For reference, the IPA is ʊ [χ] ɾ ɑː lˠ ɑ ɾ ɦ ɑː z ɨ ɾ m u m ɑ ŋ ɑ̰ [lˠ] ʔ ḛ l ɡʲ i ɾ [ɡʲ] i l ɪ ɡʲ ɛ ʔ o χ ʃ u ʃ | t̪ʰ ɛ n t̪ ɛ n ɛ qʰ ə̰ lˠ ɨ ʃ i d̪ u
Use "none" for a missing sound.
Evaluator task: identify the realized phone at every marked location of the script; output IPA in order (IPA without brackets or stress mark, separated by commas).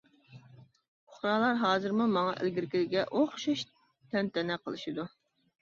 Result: χ, none, kʲ